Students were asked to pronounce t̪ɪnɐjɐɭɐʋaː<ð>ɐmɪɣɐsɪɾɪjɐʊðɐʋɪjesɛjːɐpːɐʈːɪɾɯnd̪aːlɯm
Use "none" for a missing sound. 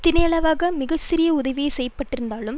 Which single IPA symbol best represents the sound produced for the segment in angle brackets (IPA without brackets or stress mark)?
ɣ